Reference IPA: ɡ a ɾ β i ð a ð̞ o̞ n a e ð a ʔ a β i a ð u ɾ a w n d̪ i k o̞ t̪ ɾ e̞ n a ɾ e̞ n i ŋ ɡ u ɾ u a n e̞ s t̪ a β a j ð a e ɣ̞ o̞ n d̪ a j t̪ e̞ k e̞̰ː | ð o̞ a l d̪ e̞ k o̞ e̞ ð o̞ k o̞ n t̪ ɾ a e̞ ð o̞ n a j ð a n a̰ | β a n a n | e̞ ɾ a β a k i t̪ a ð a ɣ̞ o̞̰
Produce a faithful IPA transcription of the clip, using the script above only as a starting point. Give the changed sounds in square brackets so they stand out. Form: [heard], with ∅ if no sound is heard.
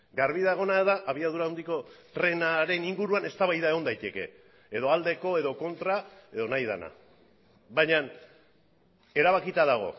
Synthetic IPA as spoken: ɡ a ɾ β i ð a [ɣ̞] o̞ n a e ð a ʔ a β i a ð u ɾ a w n d̪ i k o̞ t̪ ɾ e̞ n a ɾ e̞ n i ŋ ɡ u ɾ u a n e̞ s t̪ a β a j ð a e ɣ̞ o̞ n d̪ a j t̪ e̞ k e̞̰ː | ð o̞ a l d̪ e̞ k o̞ e̞ ð o̞ k o̞ n t̪ ɾ a e̞ ð o̞ n a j ð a n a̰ | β a [ɲ] a n | e̞ ɾ a β a k i t̪ a ð a ɣ̞ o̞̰